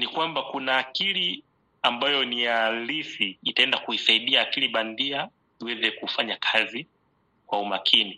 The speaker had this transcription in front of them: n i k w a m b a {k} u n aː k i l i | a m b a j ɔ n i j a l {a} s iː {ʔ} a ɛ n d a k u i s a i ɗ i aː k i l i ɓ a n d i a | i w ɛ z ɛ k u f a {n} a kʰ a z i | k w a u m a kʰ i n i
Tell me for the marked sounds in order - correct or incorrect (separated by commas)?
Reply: correct, incorrect, incorrect, incorrect